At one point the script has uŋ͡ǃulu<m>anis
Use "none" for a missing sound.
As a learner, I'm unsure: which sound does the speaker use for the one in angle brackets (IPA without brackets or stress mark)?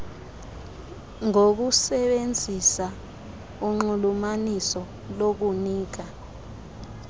m